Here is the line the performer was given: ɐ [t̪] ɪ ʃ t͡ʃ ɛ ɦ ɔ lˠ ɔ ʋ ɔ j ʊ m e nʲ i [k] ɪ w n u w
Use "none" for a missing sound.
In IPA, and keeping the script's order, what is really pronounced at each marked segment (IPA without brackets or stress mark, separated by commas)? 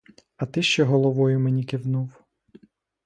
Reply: t̪, k